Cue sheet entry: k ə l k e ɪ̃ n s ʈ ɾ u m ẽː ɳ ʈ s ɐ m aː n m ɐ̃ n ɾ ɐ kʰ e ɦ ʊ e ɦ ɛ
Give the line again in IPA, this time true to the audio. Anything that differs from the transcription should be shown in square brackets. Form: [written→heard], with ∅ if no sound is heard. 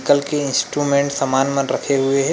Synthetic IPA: k ə l k e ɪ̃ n s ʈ ɾ u m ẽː ɳ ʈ s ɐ m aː n m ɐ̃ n ɾ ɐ kʰ e ɦ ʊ e ɦ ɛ